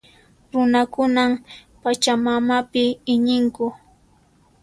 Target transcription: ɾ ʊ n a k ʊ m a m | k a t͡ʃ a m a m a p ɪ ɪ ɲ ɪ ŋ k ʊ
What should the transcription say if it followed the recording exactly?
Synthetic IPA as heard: ɾ ʊ n a k ʊ n a m | p a t͡ʃ a m a m a p ɪ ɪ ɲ ɪ ŋ k ʊ